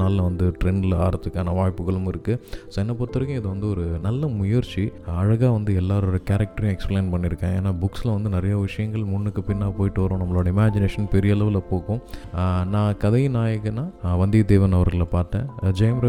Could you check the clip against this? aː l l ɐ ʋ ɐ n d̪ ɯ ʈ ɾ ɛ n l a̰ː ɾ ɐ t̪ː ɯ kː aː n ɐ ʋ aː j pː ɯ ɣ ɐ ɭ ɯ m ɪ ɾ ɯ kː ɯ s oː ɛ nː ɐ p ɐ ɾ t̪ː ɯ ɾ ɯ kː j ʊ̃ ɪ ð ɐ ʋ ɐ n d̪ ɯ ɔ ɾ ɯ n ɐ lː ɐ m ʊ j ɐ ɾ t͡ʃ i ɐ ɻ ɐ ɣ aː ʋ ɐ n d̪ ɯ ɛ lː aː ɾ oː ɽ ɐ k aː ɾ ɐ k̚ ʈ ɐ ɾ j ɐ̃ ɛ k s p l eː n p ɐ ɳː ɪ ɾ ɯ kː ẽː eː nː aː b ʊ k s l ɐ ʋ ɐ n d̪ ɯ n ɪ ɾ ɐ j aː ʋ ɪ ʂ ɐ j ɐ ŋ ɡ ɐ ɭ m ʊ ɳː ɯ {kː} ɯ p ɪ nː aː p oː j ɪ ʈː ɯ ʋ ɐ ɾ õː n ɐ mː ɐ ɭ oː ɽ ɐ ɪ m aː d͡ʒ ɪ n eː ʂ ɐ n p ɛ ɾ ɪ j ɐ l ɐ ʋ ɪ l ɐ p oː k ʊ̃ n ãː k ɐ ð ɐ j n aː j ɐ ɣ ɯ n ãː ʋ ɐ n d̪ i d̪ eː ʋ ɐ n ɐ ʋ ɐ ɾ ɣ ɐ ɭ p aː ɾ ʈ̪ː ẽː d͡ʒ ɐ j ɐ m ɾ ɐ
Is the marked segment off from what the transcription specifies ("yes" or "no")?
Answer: no